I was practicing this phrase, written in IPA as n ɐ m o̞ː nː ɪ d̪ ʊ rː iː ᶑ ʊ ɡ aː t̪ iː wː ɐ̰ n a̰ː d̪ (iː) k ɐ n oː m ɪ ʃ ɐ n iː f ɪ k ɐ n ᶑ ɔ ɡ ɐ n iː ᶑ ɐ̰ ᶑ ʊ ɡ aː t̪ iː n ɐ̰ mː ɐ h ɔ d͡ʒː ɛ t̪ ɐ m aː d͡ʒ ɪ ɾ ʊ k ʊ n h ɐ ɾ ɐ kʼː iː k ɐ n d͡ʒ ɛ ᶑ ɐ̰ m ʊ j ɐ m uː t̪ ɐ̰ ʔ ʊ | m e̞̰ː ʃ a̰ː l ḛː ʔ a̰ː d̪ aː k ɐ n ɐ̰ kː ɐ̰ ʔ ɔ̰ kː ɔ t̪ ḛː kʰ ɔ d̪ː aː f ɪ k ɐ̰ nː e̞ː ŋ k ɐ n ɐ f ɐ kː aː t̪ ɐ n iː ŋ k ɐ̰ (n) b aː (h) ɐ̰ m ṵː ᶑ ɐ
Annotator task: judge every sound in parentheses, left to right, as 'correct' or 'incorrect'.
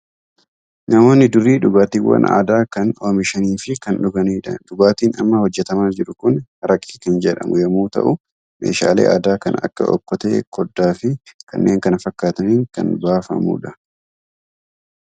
incorrect, correct, incorrect

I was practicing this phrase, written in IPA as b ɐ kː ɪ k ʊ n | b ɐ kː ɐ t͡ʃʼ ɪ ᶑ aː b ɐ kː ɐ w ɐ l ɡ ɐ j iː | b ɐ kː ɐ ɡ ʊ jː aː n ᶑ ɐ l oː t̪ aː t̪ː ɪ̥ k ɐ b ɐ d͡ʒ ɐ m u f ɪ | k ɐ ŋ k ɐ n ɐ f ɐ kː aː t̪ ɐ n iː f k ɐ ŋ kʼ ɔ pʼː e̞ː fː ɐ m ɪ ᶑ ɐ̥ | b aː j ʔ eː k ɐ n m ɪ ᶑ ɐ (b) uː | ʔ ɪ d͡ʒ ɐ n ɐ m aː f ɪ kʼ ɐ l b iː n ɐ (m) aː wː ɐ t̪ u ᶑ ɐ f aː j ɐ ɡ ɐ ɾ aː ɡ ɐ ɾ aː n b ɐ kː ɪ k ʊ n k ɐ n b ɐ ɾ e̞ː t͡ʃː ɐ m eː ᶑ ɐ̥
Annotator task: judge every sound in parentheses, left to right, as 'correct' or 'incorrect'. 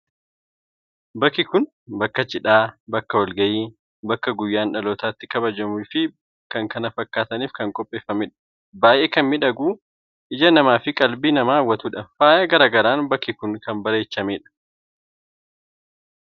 incorrect, correct

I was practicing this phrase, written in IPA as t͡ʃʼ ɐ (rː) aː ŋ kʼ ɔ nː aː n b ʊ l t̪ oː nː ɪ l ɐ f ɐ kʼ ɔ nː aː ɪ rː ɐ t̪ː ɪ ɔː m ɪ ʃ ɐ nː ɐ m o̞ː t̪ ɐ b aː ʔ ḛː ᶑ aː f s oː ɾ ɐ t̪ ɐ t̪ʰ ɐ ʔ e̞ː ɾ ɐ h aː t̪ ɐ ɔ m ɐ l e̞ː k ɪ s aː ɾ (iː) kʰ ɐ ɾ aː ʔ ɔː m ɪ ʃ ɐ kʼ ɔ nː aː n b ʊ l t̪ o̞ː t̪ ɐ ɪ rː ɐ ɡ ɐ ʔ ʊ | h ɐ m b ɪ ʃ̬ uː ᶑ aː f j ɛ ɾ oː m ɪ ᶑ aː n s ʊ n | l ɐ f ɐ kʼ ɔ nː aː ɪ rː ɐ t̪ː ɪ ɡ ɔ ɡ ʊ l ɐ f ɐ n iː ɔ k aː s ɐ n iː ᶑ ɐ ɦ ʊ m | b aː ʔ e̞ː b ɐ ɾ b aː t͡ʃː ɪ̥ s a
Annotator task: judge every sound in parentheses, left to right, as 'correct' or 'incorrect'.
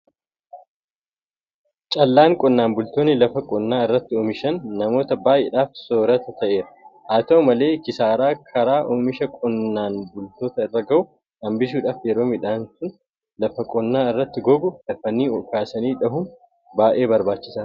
incorrect, incorrect

